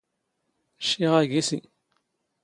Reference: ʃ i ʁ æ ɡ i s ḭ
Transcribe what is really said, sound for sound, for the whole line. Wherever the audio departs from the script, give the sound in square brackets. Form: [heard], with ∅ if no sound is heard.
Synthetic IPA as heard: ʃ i ʁ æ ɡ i s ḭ